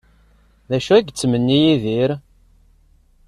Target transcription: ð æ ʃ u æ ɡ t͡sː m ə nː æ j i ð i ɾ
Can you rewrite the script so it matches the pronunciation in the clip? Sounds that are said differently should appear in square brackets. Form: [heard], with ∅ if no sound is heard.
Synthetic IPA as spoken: ð æ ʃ u æ ɡ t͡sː m ə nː [i] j i ð i ɾ